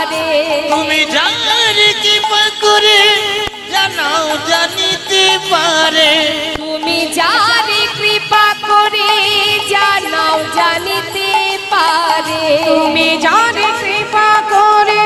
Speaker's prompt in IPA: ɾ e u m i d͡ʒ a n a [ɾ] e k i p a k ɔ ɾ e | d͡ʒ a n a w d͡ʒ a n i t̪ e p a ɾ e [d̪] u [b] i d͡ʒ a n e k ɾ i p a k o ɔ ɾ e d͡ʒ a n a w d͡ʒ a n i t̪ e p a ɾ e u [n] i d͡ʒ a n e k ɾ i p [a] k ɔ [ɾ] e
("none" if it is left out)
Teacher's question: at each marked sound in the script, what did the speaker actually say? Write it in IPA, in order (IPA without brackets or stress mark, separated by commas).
ɾ, t̪, m, m, a, ɾ